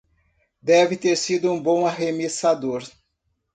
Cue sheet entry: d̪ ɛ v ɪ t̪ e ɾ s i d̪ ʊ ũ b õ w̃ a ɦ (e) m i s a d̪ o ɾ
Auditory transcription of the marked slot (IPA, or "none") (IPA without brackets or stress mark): e